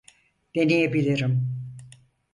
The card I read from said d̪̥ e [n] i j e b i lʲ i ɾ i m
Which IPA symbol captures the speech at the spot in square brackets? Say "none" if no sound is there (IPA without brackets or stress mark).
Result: n